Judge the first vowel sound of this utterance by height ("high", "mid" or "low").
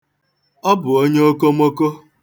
mid